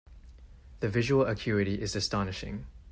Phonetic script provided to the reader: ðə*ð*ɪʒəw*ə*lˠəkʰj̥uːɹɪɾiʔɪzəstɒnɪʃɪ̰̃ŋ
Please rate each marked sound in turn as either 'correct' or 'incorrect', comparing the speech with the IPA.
incorrect, correct

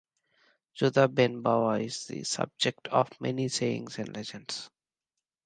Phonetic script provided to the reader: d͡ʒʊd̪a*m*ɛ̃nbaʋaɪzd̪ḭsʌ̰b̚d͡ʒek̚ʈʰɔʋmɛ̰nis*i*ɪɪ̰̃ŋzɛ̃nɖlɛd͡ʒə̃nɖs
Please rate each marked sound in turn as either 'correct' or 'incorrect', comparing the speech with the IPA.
incorrect, incorrect

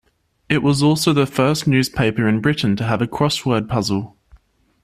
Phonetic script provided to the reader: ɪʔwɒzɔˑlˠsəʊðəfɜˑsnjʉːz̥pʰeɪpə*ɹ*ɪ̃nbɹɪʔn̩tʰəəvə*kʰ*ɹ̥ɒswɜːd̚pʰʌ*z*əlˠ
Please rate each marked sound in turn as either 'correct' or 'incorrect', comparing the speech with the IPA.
correct, correct, correct

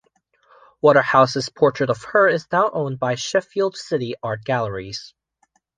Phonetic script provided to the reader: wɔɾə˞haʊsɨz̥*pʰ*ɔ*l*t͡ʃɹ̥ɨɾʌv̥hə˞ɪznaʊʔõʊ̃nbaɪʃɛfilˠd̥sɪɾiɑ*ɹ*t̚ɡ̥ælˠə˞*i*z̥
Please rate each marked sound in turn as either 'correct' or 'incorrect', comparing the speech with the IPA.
correct, incorrect, correct, correct

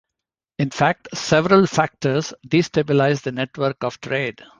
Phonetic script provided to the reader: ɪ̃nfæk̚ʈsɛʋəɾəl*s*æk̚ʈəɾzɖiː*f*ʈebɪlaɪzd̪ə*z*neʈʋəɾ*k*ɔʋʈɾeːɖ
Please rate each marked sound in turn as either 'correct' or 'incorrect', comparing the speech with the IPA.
incorrect, incorrect, incorrect, correct

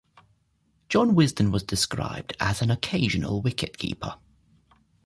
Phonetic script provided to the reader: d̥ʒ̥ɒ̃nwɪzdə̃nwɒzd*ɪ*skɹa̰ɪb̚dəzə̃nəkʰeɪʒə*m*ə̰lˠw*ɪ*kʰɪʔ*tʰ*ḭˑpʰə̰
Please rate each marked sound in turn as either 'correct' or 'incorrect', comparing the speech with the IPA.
correct, incorrect, correct, incorrect

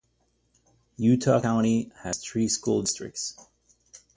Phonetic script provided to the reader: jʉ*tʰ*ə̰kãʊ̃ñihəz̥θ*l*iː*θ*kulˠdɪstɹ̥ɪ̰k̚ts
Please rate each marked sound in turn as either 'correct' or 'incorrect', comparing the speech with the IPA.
correct, incorrect, incorrect

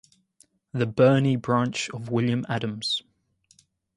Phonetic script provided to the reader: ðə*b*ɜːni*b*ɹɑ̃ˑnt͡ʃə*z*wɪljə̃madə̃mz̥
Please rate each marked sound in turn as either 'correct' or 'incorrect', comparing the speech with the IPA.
correct, correct, incorrect

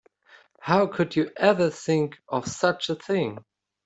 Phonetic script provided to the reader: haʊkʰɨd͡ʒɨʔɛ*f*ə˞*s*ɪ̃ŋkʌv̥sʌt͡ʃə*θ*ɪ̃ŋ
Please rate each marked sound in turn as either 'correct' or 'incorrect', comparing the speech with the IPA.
incorrect, incorrect, correct

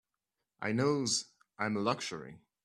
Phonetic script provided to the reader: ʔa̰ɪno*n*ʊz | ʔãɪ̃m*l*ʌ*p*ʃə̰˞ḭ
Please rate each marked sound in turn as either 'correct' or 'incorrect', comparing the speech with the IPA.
incorrect, correct, incorrect

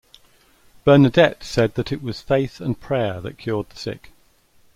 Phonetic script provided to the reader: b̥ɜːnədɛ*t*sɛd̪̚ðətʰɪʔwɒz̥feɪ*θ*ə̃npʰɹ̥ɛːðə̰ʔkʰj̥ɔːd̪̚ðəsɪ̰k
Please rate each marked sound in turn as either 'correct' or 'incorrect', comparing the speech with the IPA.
correct, correct

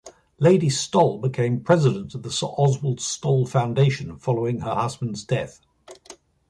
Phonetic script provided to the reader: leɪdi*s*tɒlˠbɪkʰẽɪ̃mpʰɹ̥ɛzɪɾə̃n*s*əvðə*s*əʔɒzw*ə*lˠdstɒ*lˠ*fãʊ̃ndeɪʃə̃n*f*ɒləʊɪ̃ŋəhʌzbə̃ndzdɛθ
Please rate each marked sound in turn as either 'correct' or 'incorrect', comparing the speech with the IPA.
correct, incorrect, correct, correct, correct, correct

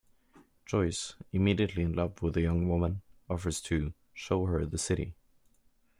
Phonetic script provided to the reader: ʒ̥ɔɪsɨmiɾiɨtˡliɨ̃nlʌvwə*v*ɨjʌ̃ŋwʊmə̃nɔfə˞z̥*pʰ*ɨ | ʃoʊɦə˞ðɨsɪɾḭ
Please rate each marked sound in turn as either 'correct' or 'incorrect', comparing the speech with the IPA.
incorrect, incorrect

